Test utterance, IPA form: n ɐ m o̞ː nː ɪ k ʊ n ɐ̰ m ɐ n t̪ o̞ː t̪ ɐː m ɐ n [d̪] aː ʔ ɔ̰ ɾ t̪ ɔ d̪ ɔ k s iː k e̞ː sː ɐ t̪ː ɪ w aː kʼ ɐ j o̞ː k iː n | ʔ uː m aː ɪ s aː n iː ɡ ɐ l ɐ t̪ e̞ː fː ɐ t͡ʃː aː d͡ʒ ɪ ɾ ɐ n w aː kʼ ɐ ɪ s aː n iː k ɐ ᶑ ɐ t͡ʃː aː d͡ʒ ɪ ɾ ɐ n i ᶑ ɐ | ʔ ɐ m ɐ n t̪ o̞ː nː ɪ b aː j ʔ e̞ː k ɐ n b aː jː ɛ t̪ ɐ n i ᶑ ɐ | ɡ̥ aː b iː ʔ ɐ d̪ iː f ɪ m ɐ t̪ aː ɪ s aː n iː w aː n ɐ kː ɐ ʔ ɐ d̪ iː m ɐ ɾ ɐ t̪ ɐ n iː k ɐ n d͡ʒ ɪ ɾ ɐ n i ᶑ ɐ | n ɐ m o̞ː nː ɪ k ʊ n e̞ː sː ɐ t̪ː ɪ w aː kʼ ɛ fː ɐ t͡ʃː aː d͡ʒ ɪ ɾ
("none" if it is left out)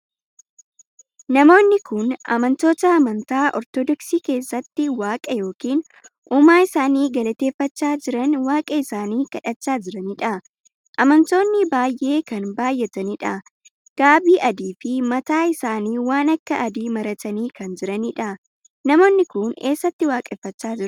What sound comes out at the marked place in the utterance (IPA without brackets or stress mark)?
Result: t̪